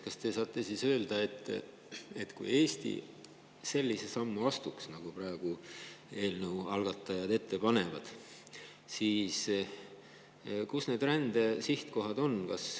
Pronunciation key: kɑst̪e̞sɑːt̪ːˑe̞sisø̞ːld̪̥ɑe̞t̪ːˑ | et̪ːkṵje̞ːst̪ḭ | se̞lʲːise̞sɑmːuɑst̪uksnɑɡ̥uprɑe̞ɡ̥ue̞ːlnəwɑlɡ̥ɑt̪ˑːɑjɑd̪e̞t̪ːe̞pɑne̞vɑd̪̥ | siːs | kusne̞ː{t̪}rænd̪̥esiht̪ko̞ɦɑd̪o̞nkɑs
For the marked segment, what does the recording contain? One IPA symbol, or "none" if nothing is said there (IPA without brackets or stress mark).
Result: d̪